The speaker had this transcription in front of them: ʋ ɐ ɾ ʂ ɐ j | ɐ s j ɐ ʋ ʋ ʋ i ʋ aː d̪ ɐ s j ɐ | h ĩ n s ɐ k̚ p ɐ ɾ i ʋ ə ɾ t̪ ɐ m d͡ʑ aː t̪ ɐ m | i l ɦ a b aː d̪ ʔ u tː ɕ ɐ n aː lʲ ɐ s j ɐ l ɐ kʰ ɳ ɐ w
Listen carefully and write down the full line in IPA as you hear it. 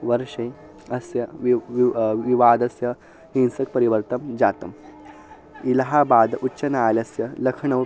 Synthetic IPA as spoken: ʋ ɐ ɾ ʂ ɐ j | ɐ s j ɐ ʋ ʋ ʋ i ʋ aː d̪ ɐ s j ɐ | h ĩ n s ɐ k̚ p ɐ ɾ i ʋ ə ɾ t̪ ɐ m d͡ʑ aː t̪ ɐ m | i l ɦ a b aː d̪ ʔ u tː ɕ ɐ n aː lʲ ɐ s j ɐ l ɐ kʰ ɳ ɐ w